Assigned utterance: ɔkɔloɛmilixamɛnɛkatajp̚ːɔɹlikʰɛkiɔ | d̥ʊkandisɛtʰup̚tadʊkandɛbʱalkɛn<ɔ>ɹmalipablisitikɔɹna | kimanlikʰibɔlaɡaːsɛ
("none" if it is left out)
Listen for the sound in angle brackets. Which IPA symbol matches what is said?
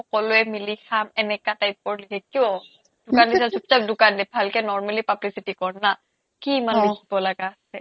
ɔ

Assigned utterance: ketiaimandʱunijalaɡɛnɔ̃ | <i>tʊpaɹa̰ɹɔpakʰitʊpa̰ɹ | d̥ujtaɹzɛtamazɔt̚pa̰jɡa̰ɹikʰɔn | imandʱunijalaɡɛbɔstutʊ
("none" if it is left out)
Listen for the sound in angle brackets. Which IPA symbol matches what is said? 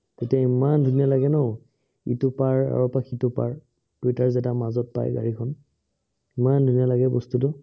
i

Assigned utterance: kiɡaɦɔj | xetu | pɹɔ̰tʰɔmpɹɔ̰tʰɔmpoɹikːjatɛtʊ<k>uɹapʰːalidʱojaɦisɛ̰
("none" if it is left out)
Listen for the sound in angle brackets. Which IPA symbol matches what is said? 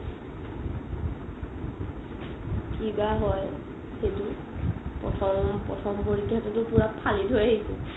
p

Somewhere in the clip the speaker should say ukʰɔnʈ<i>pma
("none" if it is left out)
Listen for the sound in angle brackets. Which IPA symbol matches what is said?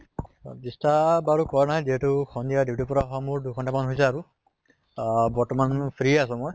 a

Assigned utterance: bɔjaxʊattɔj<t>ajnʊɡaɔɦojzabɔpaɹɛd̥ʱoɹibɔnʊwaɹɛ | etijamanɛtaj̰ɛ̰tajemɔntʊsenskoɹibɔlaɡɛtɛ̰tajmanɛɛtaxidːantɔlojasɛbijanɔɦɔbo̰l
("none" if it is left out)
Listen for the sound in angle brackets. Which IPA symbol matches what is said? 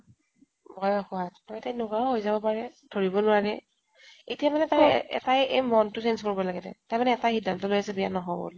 t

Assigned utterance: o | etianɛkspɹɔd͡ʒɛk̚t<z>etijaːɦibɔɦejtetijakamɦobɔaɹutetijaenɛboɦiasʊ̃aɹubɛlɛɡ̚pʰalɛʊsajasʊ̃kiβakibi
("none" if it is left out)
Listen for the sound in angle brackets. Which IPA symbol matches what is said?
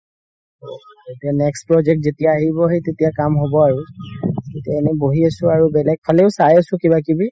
z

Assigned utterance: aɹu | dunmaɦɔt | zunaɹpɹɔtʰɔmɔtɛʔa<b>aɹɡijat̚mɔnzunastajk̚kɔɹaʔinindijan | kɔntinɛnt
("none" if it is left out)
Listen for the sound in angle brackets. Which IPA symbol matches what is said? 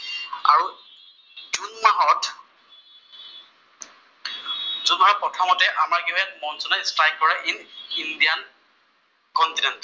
m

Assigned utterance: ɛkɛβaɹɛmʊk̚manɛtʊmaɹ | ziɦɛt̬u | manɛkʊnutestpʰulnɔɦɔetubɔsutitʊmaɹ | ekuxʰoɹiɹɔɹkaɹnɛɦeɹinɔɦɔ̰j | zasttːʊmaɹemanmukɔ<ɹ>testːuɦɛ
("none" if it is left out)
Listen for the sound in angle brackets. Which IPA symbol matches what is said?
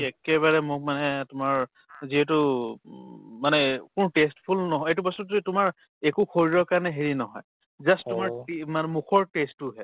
ɹ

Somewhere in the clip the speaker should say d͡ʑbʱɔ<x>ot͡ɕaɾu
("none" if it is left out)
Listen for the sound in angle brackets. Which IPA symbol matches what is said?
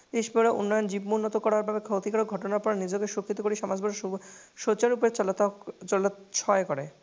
ʃ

